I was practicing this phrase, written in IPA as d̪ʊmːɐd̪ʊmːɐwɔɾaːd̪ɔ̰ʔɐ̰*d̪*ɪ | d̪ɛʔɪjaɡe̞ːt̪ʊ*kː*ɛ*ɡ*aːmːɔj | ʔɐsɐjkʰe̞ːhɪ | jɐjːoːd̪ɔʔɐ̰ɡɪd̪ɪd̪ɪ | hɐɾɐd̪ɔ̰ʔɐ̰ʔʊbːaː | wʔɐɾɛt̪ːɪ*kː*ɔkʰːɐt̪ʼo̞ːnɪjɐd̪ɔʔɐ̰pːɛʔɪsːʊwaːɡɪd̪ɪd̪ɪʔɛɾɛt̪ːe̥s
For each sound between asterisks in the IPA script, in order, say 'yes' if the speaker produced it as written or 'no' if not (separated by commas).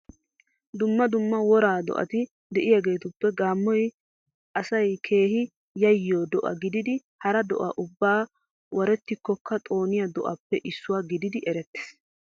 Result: no, no, yes, yes